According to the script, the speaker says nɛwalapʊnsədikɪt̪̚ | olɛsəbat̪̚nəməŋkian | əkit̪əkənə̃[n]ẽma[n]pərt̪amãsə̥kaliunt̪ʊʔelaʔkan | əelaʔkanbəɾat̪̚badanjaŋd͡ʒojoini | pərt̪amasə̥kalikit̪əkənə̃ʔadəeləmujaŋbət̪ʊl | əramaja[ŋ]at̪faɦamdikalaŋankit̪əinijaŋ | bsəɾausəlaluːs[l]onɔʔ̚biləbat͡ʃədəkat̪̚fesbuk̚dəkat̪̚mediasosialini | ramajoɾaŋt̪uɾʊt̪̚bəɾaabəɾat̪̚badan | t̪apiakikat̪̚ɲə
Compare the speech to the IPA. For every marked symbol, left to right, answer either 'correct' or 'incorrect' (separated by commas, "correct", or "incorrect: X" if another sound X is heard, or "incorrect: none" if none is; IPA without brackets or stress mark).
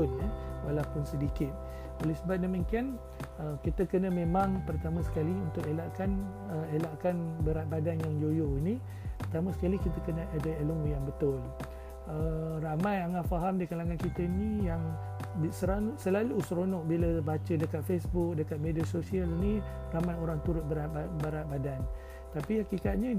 incorrect: m, incorrect: ŋ, correct, incorrect: ɾ